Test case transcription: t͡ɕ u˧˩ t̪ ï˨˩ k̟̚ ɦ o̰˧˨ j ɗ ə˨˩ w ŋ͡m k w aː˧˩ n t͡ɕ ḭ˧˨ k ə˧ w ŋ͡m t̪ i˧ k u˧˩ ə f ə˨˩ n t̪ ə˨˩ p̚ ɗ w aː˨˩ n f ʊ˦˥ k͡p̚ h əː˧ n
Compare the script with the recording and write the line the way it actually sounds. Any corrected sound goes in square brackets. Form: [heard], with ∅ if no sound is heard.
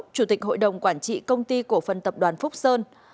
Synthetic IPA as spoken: t͡ɕ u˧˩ t̪ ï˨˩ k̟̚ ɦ o̰˧˨ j ɗ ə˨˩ w ŋ͡m k w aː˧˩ n t͡ɕ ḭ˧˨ k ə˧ w ŋ͡m t̪ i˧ k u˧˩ ə f ə˨˩ n t̪ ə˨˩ p̚ ɗ w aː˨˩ n f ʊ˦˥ k͡p̚ [s] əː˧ n

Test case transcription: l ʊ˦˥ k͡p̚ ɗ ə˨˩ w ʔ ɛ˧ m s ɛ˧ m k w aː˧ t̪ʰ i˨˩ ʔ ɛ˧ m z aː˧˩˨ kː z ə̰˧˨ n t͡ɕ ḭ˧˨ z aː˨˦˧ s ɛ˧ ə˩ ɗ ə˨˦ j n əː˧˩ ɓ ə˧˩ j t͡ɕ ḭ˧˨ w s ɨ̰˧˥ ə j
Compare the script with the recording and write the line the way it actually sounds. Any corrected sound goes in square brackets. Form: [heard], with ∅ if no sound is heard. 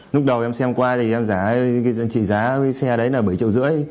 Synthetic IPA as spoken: l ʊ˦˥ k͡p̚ ɗ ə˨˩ w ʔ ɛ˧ m s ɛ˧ m k w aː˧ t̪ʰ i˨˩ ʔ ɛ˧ m z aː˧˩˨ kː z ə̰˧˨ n t͡ɕ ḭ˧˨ z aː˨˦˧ s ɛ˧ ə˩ ɗ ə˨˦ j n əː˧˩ ɓ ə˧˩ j t͡ɕ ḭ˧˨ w [z] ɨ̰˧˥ ə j

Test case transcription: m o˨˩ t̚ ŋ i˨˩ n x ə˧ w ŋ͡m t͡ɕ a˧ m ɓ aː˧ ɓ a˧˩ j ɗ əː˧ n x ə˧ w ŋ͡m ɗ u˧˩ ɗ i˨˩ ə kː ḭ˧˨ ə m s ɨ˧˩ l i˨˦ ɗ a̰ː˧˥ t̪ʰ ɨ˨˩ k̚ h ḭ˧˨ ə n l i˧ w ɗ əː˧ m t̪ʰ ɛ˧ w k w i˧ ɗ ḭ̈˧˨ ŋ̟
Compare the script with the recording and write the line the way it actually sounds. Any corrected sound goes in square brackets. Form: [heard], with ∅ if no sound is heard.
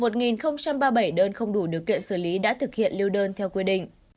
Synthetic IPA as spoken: m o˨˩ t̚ ŋ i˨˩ n x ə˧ w ŋ͡m t͡ɕ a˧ m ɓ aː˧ ɓ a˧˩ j ɗ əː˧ n x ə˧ w ŋ͡m ɗ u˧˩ ɗ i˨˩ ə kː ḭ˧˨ ə [n] s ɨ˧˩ l i˨˦ ɗ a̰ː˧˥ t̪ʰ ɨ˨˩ k̚ h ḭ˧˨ ə n l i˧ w ɗ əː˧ [n] t̪ʰ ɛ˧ w k w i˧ ɗ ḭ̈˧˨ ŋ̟

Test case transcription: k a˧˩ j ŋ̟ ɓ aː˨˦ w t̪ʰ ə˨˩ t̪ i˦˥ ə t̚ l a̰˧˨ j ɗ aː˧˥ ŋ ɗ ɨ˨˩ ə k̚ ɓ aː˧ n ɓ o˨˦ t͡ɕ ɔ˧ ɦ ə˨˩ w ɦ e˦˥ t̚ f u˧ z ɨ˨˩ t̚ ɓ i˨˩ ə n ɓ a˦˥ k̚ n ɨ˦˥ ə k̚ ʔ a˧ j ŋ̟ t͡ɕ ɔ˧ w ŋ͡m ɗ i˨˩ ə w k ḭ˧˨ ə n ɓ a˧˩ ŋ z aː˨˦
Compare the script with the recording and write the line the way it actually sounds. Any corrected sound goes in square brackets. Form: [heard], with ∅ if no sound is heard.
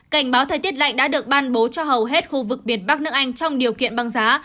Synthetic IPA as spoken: k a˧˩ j ŋ̟ ɓ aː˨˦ w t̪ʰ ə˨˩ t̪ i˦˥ ə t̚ l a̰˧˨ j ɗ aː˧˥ [∅] ɗ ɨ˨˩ ə k̚ ɓ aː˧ n ɓ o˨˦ t͡ɕ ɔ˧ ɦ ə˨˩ w ɦ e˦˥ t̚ [x] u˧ [v] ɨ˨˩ [k̚] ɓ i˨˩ ə n ɓ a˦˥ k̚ n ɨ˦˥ ə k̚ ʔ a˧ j ŋ̟ t͡ɕ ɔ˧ w ŋ͡m ɗ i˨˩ ə w k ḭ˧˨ ə n ɓ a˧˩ ŋ z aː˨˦

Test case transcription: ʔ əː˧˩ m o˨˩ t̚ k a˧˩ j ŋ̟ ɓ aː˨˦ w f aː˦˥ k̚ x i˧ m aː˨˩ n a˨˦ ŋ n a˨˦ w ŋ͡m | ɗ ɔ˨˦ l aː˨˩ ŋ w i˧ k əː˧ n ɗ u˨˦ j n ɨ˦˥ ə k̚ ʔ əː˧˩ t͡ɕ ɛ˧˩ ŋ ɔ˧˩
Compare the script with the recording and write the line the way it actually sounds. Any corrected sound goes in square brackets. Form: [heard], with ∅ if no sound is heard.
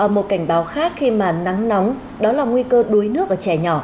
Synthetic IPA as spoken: ʔ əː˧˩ m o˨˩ t̚ k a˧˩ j ŋ̟ ɓ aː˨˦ w [x] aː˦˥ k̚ x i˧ m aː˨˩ n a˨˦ ŋ n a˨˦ w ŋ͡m | ɗ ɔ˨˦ l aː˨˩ ŋ w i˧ k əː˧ [∅] ɗ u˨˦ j n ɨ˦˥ ə k̚ ʔ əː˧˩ t͡ɕ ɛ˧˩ [ɲ] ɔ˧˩

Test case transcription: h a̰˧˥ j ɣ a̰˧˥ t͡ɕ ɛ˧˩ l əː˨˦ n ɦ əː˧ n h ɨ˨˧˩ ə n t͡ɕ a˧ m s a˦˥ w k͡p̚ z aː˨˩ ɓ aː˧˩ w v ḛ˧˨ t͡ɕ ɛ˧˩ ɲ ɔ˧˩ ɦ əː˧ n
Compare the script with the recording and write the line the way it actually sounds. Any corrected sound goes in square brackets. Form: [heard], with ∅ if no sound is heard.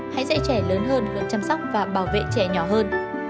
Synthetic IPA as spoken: h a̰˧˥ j [z] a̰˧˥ t͡ɕ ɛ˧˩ l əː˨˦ n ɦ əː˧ n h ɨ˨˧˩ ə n t͡ɕ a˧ m s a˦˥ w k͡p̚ [v] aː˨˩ ɓ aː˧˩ w v ḛ˧˨ t͡ɕ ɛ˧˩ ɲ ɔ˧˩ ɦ əː˧ n

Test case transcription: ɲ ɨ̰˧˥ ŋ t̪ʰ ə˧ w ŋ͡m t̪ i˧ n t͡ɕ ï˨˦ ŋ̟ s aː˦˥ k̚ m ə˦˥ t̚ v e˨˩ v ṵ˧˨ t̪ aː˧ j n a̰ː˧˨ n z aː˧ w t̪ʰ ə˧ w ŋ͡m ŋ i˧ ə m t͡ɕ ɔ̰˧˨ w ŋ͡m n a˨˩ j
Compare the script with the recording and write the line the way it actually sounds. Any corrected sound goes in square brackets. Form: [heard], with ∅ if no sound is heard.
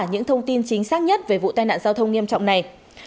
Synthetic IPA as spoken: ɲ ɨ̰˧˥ ŋ t̪ʰ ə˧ w ŋ͡m t̪ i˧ n t͡ɕ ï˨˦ ŋ̟ s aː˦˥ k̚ [ɲ] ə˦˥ t̚ v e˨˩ v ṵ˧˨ t̪ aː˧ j n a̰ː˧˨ n z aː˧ w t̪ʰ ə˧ w ŋ͡m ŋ i˧ ə m t͡ɕ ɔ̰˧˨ w ŋ͡m n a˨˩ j

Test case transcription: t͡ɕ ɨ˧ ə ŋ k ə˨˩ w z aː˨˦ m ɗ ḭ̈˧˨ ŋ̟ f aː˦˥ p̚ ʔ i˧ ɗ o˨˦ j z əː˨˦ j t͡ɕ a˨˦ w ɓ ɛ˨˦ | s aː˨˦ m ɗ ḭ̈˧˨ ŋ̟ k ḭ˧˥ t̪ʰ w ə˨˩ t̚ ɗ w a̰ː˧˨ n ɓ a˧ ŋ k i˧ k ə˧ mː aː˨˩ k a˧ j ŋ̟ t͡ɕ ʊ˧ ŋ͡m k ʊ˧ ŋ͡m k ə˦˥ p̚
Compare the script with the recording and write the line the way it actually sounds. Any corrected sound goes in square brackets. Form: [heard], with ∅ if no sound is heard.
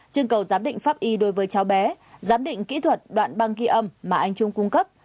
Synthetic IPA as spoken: t͡ɕ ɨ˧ ə ŋ k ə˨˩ w z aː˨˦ m ɗ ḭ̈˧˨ ŋ̟ f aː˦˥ p̚ ʔ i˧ ɗ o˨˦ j [v] əː˨˦ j t͡ɕ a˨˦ w ɓ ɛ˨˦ | [z] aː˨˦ m ɗ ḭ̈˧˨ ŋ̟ k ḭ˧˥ t̪ʰ w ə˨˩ t̚ ɗ w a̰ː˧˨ n ɓ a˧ ŋ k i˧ [ʔ] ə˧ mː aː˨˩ [ʔ] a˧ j ŋ̟ t͡ɕ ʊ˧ ŋ͡m k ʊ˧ ŋ͡m k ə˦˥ p̚

